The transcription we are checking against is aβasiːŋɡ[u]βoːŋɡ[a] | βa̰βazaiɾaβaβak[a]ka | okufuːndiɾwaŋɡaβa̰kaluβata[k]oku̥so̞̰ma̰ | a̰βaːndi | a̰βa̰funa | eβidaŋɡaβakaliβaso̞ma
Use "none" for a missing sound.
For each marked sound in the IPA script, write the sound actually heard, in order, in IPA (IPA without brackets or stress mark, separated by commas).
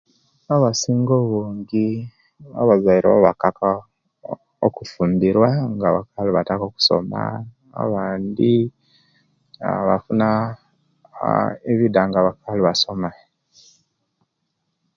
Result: o, i, a, k